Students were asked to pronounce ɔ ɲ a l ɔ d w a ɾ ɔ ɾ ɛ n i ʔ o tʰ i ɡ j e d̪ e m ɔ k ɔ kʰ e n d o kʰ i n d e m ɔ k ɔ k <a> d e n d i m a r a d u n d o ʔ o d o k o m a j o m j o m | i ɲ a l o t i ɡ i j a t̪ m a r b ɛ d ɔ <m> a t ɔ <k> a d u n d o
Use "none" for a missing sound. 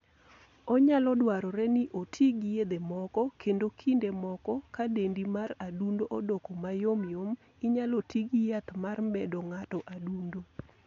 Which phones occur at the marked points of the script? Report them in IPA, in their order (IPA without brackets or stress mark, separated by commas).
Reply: a, ŋ, ʔ